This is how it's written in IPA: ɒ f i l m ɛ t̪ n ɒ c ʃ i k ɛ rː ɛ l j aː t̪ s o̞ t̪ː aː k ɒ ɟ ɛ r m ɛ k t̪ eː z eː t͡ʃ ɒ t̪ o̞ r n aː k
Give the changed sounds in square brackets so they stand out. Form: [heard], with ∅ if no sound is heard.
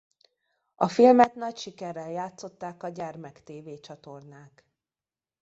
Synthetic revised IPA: ɒ f i l m ɛ t̪ n ɒ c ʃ i k ɛ rː ɛ l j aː t̪ s o̞ t̪ː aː k ɒ ɟ ɛ r m ɛ k t̪ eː [v] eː t͡ʃ ɒ t̪ o̞ r n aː k